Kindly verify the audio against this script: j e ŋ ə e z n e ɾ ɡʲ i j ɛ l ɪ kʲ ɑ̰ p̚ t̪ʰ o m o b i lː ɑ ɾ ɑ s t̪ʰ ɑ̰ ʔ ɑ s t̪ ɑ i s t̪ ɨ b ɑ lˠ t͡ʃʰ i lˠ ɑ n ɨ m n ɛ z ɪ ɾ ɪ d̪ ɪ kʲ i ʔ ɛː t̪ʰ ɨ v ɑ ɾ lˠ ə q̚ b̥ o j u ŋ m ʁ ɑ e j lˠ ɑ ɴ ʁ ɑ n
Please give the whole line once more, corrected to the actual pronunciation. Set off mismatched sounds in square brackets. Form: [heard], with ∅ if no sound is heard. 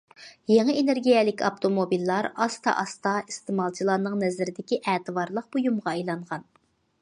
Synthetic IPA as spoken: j e ŋ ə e [∅] n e ɾ ɡʲ i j ɛ l ɪ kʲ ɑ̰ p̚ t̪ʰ o m o b i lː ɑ ɾ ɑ s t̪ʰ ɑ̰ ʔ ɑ s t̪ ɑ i s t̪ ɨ [m] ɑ lˠ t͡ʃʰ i lˠ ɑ n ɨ [ŋ] n ɛ z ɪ ɾ ɪ d̪ ɪ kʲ i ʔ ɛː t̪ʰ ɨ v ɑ ɾ lˠ ə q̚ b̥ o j u [∅] m ʁ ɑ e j lˠ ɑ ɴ ʁ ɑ n